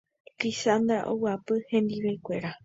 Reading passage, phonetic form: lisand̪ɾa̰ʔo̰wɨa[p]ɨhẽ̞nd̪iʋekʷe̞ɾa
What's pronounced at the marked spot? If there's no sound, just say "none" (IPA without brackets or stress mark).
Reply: p